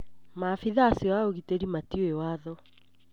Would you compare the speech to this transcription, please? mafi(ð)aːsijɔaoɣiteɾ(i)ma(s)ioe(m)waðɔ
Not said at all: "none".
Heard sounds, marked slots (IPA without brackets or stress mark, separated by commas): ð, i, t, none